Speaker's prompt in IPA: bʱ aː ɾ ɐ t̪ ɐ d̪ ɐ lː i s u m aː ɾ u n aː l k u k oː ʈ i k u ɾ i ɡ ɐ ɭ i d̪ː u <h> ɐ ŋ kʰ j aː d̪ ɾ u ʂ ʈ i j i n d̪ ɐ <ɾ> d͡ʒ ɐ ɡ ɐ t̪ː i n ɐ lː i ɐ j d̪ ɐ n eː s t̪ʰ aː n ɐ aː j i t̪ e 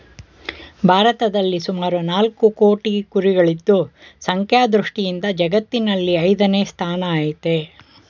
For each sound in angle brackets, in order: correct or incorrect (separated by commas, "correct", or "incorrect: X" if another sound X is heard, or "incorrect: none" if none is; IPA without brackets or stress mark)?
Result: incorrect: s, incorrect: none